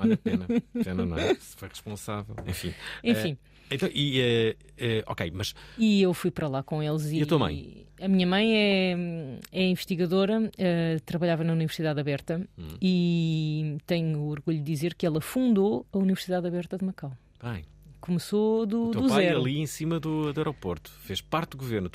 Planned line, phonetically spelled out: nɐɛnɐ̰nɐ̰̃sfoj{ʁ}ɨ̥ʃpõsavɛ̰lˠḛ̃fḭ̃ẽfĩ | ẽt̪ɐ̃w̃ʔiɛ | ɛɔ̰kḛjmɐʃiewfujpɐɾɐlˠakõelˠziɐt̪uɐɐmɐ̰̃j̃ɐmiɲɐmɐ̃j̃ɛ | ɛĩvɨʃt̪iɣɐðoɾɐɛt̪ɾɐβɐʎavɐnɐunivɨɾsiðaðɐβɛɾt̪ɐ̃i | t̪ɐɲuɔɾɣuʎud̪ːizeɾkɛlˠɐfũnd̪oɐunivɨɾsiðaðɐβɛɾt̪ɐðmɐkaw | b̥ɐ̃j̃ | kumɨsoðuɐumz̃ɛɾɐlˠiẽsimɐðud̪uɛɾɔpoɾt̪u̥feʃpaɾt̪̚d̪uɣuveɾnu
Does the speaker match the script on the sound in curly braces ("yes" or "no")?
yes